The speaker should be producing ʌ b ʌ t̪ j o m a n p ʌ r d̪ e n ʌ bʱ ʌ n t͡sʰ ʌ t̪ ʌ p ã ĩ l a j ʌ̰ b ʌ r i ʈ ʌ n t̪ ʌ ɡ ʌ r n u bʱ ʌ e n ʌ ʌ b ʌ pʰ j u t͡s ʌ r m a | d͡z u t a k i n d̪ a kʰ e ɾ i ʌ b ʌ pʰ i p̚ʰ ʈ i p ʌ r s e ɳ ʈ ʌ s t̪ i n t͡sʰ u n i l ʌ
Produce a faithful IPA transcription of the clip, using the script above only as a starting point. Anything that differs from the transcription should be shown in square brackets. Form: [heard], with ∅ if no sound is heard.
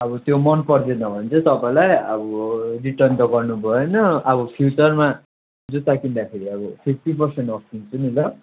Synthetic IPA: ʌ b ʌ t̪ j o m [ʌ] n p ʌ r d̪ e n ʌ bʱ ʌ n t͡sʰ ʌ t̪ ʌ p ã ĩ l a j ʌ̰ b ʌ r i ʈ ʌ n t̪ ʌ ɡ ʌ r n u bʱ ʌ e n ʌ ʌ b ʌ pʰ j u t͡s ʌ r m a | d͡z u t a k i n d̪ a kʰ e ɾ i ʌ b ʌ pʰ i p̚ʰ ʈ i p ʌ r s e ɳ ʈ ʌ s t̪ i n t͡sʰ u n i l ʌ